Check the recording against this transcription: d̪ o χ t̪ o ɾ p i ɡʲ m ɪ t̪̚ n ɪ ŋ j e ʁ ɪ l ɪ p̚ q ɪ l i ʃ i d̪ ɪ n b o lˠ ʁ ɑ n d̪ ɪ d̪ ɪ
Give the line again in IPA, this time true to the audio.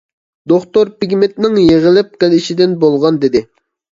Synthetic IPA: d̪ o χ t̪ o ɾ p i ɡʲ m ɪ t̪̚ n ɪ ŋ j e ʁ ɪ l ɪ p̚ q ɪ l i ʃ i d̪ ɪ n b o lˠ ʁ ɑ n d̪ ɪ d̪ ɪ